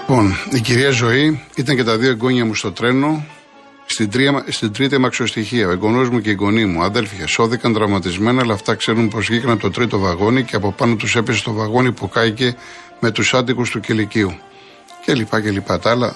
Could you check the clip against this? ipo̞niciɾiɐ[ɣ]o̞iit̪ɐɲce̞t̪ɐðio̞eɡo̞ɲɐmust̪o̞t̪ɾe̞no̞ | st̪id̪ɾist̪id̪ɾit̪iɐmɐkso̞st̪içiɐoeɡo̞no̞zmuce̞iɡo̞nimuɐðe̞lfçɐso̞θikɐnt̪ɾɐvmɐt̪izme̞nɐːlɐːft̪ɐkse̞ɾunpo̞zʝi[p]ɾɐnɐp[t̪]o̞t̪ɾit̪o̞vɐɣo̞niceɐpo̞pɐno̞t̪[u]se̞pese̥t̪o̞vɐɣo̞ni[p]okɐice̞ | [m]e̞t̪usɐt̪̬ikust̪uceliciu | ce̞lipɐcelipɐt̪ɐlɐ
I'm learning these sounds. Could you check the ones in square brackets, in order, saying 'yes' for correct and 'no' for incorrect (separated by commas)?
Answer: no, no, yes, yes, yes, yes